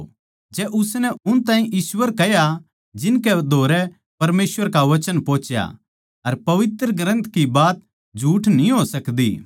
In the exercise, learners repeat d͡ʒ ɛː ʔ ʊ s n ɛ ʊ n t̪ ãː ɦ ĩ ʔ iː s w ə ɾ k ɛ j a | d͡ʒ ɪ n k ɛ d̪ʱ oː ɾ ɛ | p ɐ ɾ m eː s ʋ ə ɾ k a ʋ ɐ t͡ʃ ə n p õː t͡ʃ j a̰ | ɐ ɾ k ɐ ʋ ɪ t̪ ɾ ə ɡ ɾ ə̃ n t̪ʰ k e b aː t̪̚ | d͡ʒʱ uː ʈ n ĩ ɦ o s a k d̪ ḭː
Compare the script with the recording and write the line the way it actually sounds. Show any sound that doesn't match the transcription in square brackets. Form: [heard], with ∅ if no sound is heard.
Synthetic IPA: d͡ʒ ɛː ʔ ʊ s n ɛ ʊ n t̪ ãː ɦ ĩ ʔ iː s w ə ɾ k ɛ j a | d͡ʒ ɪ n k ɛ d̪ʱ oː ɾ ɛ | p ɐ ɾ m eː s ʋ ə ɾ k a ʋ ɐ t͡ʃ ə n p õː t͡ʃ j a̰ | ɐ ɾ [p] ɐ ʋ ɪ t̪ ɾ ə ɡ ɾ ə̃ n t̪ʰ k [i] b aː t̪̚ | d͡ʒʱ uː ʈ n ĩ ɦ o s [ɐ] k d̪ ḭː